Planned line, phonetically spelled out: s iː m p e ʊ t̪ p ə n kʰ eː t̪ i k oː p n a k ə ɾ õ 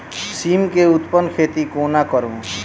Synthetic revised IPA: s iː m k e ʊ t̪ p ə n kʰ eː t̪ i k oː n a k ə ɾ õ